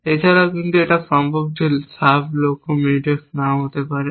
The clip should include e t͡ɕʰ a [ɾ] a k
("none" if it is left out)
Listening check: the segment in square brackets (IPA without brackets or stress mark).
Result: ɾ